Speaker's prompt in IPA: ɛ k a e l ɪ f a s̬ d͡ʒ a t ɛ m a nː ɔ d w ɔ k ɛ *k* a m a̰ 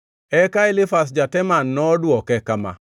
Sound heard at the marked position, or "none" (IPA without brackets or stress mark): k